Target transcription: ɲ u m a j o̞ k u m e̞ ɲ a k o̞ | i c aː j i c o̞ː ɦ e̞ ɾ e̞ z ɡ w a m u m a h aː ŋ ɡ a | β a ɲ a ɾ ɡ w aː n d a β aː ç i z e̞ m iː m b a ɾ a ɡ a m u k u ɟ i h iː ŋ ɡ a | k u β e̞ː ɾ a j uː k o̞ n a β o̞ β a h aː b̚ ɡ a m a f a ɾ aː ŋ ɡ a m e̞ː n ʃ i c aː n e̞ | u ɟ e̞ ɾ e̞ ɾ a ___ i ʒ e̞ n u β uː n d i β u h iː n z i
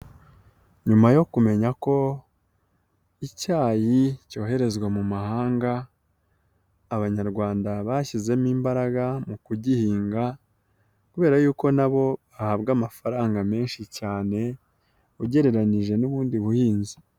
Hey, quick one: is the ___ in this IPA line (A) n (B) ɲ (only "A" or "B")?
A